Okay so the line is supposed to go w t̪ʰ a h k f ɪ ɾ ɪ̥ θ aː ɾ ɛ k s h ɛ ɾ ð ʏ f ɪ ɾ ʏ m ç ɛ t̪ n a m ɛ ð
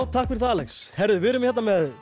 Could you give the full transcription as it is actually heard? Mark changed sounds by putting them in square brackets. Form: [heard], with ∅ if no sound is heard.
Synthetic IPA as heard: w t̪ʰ a h k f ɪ ɾ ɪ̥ θ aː [l] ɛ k s h ɛ ɾ ð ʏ [v] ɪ ɾ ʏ m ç ɛ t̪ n a m ɛ ð